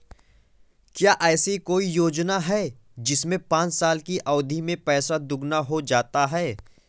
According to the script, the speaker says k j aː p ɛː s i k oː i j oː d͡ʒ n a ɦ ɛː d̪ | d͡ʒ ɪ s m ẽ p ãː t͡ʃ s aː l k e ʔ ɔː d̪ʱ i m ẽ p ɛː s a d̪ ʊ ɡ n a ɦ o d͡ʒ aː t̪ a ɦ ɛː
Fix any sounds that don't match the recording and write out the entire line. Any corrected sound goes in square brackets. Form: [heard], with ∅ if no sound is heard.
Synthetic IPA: k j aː [ʔ] ɛː s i k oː i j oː d͡ʒ n a ɦ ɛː [∅] | d͡ʒ ɪ s m ẽ p ãː t͡ʃ s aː l k [i] ʔ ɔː d̪ʱ i m ẽ p ɛː s a d̪ ʊ ɡ n a ɦ o d͡ʒ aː t̪ a ɦ ɛː

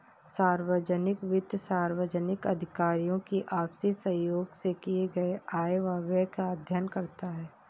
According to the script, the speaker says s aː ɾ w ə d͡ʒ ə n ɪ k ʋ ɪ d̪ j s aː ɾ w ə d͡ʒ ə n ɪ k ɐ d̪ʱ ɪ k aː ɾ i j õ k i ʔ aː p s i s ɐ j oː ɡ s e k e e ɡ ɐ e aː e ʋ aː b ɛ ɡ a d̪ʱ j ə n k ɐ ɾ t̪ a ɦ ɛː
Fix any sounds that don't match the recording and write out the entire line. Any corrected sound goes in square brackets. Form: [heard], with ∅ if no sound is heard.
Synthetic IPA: s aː ɾ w ə d͡ʒ ə n ɪ k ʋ ɪ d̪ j s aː ɾ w ə d͡ʒ ə n ɪ k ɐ d̪ʱ ɪ k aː ɾ i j õ k i ʔ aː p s i s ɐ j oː ɡ s e k [i] e ɡ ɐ e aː e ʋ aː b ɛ [k] a d̪ʱ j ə n k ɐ ɾ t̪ a ɦ ɛː

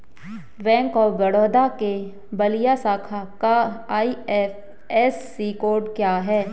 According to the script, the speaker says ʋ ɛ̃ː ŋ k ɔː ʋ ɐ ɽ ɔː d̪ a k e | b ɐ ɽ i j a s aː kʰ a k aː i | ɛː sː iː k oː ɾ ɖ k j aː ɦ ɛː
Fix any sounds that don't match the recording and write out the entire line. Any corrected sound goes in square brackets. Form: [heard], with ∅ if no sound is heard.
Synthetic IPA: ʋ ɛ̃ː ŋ k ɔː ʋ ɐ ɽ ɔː d̪ a k e | b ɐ [l] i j a s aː kʰ a k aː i | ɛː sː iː k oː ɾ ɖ k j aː ɦ ɛː

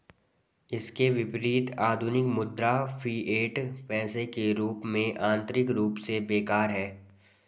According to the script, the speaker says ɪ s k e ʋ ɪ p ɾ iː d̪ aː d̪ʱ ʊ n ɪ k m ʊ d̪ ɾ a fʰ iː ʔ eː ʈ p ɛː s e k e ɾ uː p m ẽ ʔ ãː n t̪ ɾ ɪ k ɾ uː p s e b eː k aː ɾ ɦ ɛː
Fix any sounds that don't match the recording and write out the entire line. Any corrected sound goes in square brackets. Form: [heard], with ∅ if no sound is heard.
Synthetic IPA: ɪ s k e ʋ ɪ p ɾ iː [t̪] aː d̪ʱ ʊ n ɪ k m ʊ d̪ ɾ a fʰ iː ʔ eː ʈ p ɛː s e k e ɾ uː p m ẽ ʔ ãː n t̪ ɾ ɪ k ɾ uː p s e b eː k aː ɾ ɦ ɛː

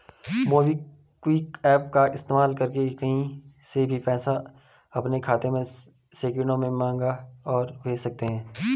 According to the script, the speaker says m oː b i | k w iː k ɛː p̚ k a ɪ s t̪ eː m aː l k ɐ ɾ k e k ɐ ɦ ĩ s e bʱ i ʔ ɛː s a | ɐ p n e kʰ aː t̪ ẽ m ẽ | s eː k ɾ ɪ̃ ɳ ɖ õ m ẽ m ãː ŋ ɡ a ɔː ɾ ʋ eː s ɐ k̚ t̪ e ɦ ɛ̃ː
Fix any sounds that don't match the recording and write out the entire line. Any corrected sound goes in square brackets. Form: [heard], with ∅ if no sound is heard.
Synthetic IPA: m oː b i | k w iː k ɛː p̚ k a ɪ s t̪ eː m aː l k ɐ ɾ k e k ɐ ɦ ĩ s e bʱ i [p] ɛː s a | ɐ p n e kʰ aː t̪ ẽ m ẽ | s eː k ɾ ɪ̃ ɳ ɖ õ m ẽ m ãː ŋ ɡ a ɔː ɾ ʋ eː s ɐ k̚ t̪ e ɦ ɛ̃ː

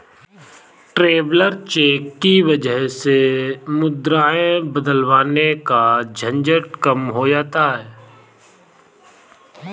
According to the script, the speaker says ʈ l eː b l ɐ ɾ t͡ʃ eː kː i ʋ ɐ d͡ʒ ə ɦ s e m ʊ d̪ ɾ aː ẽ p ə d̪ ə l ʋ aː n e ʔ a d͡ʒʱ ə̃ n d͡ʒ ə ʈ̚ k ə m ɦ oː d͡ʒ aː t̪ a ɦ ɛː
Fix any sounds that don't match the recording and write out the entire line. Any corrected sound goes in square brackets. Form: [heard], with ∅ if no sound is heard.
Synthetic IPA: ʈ [ɾ] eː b l [ə] ɾ t͡ʃ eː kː i ʋ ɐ d͡ʒ ə ɦ s e m ʊ d̪ ɾ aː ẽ [b] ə d̪ ə l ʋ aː n e [k] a d͡ʒʱ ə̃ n d͡ʒ ə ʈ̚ k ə m ɦ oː d͡ʒ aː t̪ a ɦ ɛː

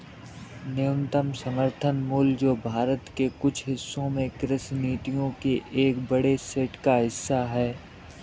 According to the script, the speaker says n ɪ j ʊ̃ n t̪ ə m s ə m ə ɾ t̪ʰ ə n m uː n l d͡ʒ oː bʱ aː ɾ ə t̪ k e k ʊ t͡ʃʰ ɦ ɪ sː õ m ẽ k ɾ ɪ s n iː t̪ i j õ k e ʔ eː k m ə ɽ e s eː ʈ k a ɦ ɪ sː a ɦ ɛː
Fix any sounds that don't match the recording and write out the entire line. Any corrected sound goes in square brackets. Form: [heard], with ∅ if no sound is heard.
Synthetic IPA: n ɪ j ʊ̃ n t̪ ə m s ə m ə ɾ t̪ʰ ə n m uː [∅] l d͡ʒ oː bʱ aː ɾ ə t̪ k e k ʊ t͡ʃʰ ɦ ɪ sː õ m ẽ k ɾ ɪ s n iː t̪ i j õ k e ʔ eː k [b] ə ɽ e s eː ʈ k a ɦ ɪ sː a ɦ ɛː

